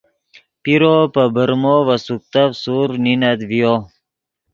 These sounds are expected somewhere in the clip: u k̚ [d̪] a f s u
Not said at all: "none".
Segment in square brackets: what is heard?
t̪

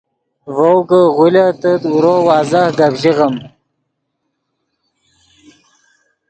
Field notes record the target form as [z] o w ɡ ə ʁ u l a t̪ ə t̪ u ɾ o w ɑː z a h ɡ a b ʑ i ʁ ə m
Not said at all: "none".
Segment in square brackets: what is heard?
v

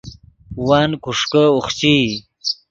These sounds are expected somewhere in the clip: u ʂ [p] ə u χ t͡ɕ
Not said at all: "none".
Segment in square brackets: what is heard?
k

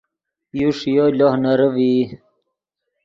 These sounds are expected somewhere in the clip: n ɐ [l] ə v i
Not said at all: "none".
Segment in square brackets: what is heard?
ɾ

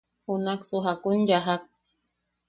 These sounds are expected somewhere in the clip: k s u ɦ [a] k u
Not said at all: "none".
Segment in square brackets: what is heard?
a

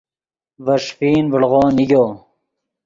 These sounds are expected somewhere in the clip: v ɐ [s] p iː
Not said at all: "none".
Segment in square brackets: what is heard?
ʂ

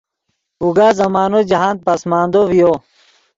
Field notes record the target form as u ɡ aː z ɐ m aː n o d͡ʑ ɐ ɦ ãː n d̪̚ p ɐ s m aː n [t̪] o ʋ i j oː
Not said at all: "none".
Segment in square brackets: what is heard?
d̪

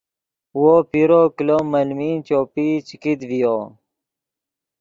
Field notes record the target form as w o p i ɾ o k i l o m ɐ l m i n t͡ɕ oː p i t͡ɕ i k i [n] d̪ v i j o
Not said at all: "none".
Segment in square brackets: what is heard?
none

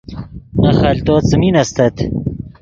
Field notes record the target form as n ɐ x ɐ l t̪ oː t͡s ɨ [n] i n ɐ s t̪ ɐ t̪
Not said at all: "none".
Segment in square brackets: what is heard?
m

